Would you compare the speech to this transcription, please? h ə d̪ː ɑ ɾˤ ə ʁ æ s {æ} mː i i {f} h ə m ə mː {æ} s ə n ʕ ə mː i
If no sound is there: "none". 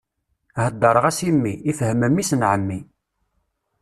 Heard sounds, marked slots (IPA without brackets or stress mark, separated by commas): i, f, i